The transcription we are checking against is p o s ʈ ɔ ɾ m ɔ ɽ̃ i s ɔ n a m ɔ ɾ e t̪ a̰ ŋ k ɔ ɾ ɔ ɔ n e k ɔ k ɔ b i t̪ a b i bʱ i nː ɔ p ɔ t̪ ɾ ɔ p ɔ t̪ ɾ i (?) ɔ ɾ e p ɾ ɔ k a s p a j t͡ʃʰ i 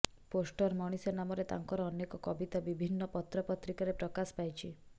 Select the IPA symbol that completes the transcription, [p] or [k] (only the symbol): k